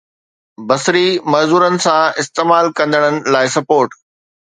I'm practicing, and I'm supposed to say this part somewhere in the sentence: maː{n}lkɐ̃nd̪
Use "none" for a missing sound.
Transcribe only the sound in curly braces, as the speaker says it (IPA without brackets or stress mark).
none